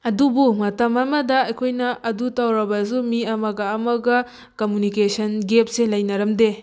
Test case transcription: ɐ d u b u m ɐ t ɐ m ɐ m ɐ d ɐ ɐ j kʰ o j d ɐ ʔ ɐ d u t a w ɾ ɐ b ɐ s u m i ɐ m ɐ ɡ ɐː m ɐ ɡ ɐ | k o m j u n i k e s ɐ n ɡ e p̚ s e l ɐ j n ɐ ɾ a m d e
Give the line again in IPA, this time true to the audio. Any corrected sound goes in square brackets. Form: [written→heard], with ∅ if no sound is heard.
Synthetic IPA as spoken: ɐ d u b u m ɐ t ɐ m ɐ m ɐ d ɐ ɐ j kʰ o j [d→n] ɐ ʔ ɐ d u t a w ɾ ɐ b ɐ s u m i ɐ m ɐ ɡ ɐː m ɐ ɡ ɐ | k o m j u n i k e s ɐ n ɡ e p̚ s e l ɐ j n ɐ ɾ [a→ɐ] m d e